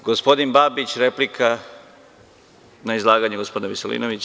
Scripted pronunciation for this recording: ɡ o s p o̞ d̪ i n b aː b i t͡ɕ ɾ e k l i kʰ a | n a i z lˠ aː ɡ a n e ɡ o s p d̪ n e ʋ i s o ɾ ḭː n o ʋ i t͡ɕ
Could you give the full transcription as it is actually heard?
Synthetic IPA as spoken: ɡ o s p o̞ d̪ i n b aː b i t͡ɕ ɾ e p l i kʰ a | n a i z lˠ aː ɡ a ɲ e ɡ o s p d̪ n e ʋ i s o l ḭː n o ʋ i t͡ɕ

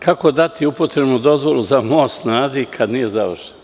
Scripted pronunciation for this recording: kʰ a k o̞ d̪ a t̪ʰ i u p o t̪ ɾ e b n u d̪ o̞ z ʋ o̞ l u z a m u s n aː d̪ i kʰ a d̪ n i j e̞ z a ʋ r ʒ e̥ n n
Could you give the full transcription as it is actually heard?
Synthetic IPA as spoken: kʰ a k o̞ d̪ a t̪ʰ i u p o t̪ ɾ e b n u d̪ o̞ z ʋ o̞ l u z a m o s n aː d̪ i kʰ a d̪ n i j e̞ z a ʋ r ʃ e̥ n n

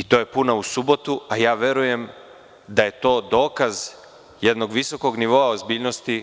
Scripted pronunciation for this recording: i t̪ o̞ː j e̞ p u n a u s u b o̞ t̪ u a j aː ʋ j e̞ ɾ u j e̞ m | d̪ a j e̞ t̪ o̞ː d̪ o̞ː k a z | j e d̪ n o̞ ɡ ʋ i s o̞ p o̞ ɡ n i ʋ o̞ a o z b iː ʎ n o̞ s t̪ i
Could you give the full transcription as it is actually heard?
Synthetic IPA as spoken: i t̪ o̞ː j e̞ p u n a u s u b o̞ t̪ u a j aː ʋ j e̞ ɾ u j e̞ m | d̪ a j e̞ t̪ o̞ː d̪ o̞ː k a z | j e d̪ n o̞ ɡ ʋ i s o̞ k o̞ ɡ n i ʋ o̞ a o z b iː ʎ n o̞ s t̪ i

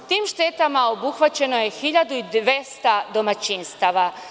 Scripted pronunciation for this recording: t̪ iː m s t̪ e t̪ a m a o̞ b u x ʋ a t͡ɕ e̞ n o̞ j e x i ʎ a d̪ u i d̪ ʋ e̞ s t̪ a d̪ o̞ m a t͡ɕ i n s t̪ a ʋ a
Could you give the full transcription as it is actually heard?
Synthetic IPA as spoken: t̪ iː m ʃ t̪ e t̪ a m a o̞ b u x ʋ a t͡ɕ e̞ n o̞ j e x i ʎ a d̪ u i d̪ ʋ e̞ s t̪ a d̪ o̞ m a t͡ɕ i n s t̪ a ʋ a

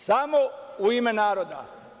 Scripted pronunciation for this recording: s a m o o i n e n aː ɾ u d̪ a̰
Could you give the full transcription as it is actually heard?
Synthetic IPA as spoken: s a m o u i m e n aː ɾ o d̪ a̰

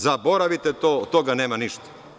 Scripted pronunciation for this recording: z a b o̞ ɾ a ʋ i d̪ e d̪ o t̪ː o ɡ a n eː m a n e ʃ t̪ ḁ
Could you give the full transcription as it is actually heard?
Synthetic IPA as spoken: z a b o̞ ɾ a ʋ i t̪ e t̪ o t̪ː o ɡ a n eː m a n i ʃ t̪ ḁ

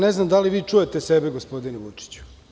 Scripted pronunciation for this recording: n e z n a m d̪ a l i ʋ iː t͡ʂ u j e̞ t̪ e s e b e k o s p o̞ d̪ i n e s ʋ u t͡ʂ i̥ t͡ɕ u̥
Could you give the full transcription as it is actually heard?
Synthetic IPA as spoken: n e z n a m d̪ a l i ʋ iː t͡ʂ u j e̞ t̪ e s e b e ɡ o s p o̞ d̪ i n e ʋ u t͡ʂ i̥ t͡ɕ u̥

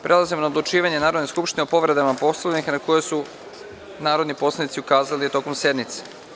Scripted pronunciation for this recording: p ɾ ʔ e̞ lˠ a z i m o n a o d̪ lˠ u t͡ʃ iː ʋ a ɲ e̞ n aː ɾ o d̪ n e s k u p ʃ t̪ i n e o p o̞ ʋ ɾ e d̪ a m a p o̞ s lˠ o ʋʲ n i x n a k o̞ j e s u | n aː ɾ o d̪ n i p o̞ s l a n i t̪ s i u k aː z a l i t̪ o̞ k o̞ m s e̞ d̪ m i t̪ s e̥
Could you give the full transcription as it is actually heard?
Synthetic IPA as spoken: p ɾ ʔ e̞ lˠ a z i m o n a o d̪ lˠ u t͡ʃ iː ʋ a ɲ e̞ n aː ɾ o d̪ n e s k u p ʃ t̪ i n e o p o̞ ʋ ɾ e d̪ a m a p o̞ s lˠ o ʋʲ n i x n a k o̞ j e s u | n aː ɾ o d̪ n i p o̞ s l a n i t̪ s i u k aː z a l i t̪ o̞ k o̞ m s e̞ d̪ m i t̪ s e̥

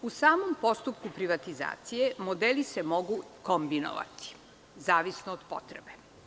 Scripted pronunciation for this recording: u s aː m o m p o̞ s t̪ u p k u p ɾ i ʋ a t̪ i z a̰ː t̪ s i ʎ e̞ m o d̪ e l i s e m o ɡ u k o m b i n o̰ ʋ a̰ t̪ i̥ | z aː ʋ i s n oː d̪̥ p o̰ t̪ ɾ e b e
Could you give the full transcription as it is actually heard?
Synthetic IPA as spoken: u s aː m o m p o̞ s t̪ u p k u p ɾ i ʋ a t̪ i z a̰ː t̪ s i j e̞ m o d̪ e l i s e m o ɡ u k o m b i n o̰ ʋ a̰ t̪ i̥ | z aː ʋ i s n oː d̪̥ p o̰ t̪ ɾ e b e

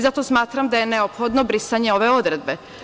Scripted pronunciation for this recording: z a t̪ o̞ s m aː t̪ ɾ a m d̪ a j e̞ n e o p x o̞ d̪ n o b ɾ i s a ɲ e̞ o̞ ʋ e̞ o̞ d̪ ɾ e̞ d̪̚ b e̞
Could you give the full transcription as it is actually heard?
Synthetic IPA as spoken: z a t̪ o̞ s m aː t̪ ɾ a m d̪ a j e̞ n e o p x o̞ d̪ n o b ɾ i s a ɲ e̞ o̞ ʋ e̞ o̞ d̪ ɾ e̞ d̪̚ b e̞

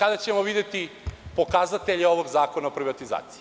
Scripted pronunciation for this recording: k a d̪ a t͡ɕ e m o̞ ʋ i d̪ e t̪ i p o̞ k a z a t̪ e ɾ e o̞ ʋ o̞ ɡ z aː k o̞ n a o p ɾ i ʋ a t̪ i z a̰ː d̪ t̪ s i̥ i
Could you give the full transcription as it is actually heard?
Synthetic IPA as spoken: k a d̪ a t͡ɕ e m o̞ ʋ i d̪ e t̪ i p o̞ k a z a t̪ e ʎ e o̞ ʋ o̞ ɡ z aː k o̞ n a o p ɾ i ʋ a t̪ i z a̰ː t̪ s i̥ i

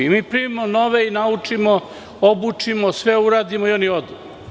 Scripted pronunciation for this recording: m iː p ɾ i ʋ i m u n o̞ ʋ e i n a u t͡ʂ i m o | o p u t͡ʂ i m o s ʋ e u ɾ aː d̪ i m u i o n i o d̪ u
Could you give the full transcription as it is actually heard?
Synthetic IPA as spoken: m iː p ɾ i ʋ i m o n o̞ ʋ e i n a u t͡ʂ i m o | o b u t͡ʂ i m o s ʋ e u ɾ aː d̪ i m o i o n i o d̪ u

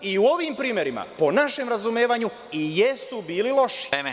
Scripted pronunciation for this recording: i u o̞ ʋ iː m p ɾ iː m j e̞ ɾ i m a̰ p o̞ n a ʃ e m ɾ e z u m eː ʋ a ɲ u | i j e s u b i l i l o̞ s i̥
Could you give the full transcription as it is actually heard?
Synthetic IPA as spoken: i u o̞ ʋ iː m p ɾ iː m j e̞ ɾ i m a̰ p o̞ n a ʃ e m ɾ a z u m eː ʋ a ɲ u | i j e s u b iː l i l o̞ ʃ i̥

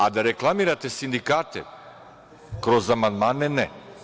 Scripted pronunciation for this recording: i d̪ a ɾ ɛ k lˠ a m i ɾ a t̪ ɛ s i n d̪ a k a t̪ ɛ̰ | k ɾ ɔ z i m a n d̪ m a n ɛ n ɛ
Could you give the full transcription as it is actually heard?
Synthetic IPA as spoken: a d̪ a ɾ ɛ k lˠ a m i ɾ a t̪ ɛ s i n d̪ i k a t̪ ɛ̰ | k ɾ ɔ z a m a n d̪ m a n ɛ n ɛ

